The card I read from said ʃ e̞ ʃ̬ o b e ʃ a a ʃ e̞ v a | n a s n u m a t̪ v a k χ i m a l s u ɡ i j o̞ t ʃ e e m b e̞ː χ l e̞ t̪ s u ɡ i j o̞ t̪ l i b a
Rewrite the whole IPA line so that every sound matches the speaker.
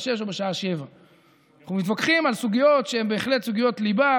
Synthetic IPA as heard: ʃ e̞ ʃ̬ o b e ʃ a a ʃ e̞ v a | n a χ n u m i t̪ v a k χ i m a l s u ɡ i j o̞ t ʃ e e m b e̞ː χ l e̞ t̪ s u ɡ i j o̞ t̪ l i b a